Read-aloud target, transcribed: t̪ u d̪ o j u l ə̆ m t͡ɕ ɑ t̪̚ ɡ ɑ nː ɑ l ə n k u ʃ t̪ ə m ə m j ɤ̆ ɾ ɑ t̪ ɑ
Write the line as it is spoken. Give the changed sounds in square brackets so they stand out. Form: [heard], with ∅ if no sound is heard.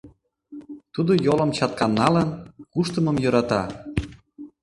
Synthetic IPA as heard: t̪ u d̪ o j [o] l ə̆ m t͡ɕ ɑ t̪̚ [k] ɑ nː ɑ l ə n k u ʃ t̪ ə m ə m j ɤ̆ ɾ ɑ t̪ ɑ